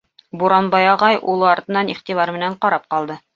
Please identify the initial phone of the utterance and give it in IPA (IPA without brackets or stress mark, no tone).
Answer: b